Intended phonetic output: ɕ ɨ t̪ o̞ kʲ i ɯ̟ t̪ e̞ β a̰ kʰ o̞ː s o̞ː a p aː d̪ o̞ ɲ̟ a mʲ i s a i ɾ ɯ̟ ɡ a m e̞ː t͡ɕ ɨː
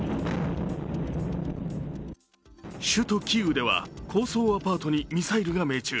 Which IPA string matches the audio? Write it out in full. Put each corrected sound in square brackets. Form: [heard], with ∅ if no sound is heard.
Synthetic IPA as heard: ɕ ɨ t̪ o̞ kʲ i ɯ̟ [d̪] e̞ β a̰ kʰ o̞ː s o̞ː a p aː [t̪] o̞ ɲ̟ [i] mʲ i s a i ɾ ɯ̟ ɡ a m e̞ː t͡ɕ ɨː